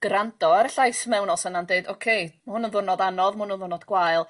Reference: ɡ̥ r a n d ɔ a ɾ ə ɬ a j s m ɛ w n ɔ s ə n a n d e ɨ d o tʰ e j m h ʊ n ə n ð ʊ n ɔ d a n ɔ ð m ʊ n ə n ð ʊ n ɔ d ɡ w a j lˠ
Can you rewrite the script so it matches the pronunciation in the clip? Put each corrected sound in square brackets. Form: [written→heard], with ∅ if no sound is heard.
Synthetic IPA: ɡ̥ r a n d ɔ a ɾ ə ɬ a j s m ɛ w n ɔ s ə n a n d e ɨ d o [tʰ→kʰ] e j m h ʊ n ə n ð ʊ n ɔ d a n ɔ ð m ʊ n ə n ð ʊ n ɔ d ɡ w a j lˠ